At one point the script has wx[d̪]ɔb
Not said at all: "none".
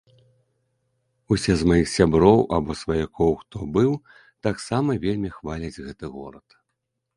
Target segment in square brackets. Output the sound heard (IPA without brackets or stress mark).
t̪